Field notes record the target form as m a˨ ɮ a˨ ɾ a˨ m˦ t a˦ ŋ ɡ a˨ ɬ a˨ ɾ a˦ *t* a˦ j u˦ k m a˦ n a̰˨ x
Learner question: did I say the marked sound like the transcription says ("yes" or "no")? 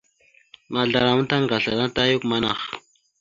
yes